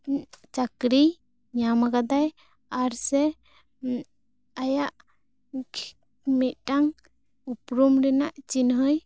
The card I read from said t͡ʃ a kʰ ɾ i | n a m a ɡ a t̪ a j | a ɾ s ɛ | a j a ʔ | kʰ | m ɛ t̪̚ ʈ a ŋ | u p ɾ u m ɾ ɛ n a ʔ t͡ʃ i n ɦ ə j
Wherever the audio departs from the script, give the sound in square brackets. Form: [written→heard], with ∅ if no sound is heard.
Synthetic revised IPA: t͡ʃ a [kʰ→k] ɾ i | [n→ɲ] a m a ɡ a [t̪→d̪] a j | a ɾ s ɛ | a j a ʔ | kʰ | m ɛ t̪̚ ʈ a ŋ | u p ɾ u m ɾ ɛ n a ʔ t͡ʃ i n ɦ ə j